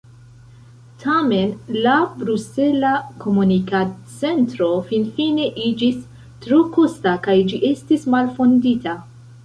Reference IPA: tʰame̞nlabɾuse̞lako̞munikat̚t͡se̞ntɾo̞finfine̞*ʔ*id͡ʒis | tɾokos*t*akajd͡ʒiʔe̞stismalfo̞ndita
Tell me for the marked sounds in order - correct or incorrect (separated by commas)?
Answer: correct, correct